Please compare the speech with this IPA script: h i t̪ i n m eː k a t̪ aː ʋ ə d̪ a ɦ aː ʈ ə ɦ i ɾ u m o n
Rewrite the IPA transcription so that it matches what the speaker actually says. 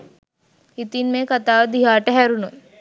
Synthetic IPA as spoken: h i t̪ i n m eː k a t̪ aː ʋ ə d̪ i ɦ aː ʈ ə ɦ æ ɾ u n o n